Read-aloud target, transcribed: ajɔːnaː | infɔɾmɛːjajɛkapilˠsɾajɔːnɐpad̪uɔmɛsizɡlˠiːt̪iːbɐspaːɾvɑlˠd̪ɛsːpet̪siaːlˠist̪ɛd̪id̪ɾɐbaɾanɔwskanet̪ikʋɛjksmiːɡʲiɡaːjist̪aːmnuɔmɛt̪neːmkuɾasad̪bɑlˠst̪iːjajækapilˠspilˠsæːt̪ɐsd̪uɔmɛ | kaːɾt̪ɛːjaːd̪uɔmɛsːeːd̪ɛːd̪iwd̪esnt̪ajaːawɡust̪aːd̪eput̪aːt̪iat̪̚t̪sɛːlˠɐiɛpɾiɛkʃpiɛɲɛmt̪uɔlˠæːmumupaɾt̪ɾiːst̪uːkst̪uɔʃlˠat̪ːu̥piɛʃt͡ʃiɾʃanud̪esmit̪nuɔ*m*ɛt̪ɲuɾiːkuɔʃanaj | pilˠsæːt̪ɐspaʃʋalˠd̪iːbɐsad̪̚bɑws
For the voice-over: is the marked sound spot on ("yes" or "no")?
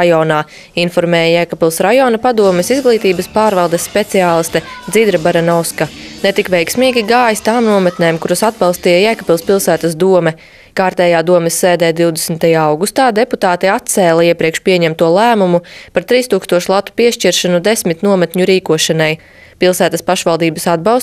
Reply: yes